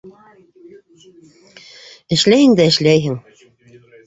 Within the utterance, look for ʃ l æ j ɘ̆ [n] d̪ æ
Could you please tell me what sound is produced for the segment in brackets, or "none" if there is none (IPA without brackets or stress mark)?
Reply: ŋ